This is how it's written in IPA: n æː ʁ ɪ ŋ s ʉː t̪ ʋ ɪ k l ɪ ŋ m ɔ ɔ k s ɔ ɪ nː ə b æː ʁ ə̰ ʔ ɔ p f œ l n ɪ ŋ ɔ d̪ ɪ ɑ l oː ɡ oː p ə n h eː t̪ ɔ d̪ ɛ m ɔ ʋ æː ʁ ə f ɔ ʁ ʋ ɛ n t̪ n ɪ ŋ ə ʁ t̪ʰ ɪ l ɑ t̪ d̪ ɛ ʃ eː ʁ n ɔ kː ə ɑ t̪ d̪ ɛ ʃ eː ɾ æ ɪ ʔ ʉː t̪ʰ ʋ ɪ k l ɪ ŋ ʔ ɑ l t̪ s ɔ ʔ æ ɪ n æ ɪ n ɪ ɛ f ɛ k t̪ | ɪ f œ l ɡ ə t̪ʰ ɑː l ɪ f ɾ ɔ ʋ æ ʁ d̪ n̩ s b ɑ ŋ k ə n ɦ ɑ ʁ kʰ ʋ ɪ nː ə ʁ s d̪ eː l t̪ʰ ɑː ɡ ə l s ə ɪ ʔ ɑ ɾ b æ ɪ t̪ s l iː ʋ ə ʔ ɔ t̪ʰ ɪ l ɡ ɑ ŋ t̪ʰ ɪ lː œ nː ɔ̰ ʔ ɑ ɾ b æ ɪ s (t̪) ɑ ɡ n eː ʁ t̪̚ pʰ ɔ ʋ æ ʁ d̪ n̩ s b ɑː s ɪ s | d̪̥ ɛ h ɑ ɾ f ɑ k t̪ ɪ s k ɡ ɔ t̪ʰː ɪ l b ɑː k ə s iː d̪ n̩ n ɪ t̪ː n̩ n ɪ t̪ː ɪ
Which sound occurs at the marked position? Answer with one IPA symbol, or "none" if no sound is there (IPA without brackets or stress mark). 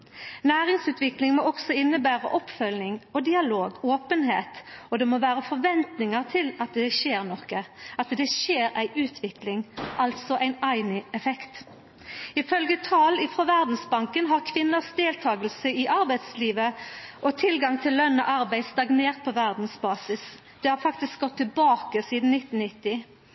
t̪